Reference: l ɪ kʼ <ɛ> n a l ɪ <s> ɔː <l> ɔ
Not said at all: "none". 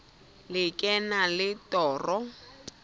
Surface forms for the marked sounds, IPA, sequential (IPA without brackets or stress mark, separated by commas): ɛ, t, r